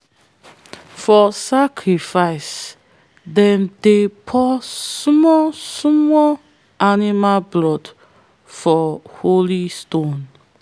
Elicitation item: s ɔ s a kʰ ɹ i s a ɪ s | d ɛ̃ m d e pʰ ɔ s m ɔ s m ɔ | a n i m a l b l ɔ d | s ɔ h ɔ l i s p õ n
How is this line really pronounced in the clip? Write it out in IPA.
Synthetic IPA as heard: f ɔ s a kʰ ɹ i f a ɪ s | d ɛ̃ m d e pʰ ɔ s m ɔ s m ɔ | a n i m a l b l ɔ d | f ɔ h o l i s t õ n